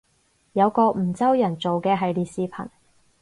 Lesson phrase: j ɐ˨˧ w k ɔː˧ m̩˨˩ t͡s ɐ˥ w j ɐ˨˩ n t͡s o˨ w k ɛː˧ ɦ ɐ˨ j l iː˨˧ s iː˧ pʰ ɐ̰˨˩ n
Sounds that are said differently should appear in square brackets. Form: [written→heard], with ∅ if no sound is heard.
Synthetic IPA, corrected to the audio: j ɐ˨˧ w k ɔː˧ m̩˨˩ t͡s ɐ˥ w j ɐ˨˩ n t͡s o˨ w k ɛː˧ ɦ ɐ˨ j l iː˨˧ s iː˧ pʰ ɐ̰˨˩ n